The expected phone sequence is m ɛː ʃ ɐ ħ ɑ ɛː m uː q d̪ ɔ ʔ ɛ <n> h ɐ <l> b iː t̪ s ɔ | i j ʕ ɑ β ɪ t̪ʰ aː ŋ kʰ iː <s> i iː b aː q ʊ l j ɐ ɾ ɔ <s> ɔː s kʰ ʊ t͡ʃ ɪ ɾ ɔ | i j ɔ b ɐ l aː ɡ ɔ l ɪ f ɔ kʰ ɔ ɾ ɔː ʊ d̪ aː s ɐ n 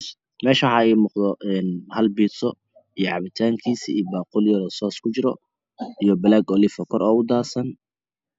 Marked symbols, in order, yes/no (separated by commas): yes, yes, yes, yes